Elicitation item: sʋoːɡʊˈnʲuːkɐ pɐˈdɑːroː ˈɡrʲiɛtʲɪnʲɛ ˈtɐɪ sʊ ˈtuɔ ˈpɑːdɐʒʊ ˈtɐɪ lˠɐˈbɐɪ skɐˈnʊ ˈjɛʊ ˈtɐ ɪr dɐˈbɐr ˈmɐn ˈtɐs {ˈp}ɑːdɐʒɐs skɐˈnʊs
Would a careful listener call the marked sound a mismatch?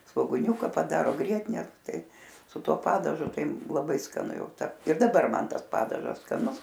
no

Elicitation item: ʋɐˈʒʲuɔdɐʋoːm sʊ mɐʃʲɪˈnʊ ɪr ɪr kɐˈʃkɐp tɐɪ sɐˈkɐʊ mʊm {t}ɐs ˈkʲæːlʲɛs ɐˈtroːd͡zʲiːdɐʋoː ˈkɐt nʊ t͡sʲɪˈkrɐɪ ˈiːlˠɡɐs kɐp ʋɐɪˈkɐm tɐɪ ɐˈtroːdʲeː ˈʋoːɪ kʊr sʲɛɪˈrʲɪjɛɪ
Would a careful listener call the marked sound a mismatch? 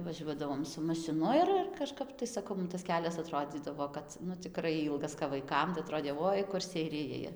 no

